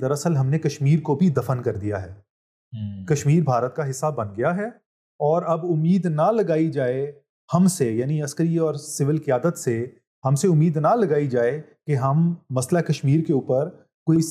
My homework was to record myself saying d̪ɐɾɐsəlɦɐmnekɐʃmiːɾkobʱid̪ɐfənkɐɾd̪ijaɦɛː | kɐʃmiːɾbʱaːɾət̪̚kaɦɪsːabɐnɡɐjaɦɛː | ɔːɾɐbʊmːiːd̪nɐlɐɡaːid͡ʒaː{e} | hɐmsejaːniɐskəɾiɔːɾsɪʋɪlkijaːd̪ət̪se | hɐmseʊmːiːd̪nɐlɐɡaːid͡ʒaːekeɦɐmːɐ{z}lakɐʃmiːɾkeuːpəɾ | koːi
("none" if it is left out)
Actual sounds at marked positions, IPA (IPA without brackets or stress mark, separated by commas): e, s